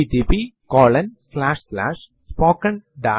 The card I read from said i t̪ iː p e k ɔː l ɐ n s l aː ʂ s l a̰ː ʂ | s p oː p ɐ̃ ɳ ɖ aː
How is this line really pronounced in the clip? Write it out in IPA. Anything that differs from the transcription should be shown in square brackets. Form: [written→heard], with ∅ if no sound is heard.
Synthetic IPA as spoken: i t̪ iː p [e→i] k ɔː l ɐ n s l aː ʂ s l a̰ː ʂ | s p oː [p→k] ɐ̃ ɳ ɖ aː